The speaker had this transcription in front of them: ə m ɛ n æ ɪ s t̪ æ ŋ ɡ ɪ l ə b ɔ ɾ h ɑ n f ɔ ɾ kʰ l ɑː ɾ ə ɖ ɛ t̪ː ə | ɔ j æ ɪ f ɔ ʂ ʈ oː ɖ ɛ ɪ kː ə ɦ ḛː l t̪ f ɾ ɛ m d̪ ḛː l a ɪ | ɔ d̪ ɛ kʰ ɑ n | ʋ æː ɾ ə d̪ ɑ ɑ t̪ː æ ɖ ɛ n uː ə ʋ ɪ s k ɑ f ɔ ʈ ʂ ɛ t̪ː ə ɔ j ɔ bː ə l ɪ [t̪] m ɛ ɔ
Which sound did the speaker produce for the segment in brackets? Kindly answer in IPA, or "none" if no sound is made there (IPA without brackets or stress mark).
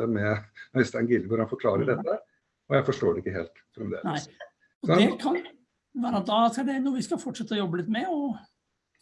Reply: t̪